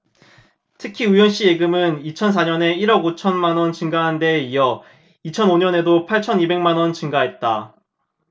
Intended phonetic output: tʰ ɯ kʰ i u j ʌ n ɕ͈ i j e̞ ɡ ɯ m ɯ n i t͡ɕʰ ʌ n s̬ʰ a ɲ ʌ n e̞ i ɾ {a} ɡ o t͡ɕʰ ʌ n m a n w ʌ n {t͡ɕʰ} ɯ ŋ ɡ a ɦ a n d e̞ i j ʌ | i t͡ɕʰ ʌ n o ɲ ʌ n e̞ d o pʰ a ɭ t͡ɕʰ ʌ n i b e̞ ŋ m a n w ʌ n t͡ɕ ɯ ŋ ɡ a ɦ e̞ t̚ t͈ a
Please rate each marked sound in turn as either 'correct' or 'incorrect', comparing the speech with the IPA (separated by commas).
incorrect, incorrect